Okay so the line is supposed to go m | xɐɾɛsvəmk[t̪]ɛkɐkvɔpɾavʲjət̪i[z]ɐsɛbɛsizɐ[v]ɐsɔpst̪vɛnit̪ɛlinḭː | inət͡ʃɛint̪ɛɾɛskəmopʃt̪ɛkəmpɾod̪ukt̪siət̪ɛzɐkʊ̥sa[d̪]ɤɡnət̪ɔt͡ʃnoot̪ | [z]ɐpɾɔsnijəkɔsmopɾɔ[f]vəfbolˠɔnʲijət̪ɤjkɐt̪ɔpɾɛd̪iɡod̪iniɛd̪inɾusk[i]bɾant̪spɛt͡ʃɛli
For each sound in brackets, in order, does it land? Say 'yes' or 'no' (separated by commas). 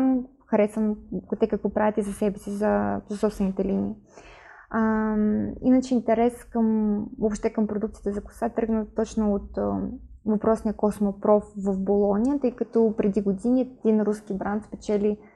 yes, yes, no, no, no, yes, yes